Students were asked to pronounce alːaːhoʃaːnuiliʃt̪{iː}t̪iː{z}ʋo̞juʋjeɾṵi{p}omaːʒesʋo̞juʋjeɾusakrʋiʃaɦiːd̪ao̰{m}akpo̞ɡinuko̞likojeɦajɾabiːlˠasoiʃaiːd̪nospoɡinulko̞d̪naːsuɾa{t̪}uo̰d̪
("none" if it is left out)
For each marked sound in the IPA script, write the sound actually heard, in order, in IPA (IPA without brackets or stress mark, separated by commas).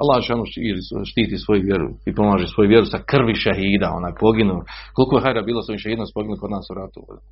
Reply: iː, s, p, n, t̪